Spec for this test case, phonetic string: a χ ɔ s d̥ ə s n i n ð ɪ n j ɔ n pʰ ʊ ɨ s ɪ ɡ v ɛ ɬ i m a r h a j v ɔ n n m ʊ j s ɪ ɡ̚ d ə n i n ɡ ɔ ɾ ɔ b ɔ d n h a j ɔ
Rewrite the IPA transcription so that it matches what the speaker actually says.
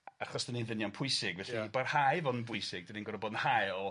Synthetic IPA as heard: a χ ɔ s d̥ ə n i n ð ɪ n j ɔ n pʰ ʊ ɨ s ɪ ɡ v ɛ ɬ i b a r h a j v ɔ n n b ʊ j s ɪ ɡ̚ d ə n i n ɡ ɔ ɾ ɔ b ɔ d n h a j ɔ